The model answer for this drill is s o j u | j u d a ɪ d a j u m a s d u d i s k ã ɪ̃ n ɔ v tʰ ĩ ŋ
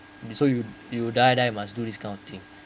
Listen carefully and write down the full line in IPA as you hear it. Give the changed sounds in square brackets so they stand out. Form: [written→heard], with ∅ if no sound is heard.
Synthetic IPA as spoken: s o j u | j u d a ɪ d a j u m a s d u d i s k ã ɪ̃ n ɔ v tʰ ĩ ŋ